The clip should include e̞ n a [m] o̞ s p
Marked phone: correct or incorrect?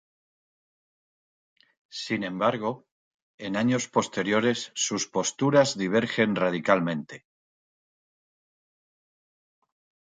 incorrect